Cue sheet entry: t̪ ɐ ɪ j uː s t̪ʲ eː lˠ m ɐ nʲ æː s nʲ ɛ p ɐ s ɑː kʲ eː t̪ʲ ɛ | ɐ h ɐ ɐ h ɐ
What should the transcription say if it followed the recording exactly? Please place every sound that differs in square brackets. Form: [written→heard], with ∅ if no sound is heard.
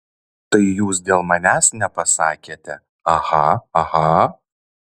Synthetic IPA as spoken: t̪ ɐ ɪ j uː s [t̪ʲ→d̪ʲ] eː lˠ m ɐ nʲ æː s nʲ ɛ p ɐ s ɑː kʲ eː t̪ʲ ɛ | ɐ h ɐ ɐ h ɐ